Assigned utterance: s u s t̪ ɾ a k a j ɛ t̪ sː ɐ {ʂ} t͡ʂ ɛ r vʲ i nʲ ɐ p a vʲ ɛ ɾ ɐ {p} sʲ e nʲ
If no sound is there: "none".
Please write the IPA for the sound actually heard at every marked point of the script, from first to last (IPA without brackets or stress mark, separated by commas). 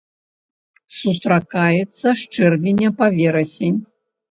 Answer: ʂ, none